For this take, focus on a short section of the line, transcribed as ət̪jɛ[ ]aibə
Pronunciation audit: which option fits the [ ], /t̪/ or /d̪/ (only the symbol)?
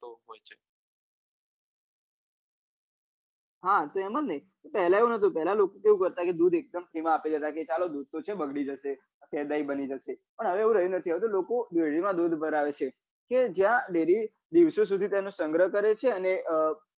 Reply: d̪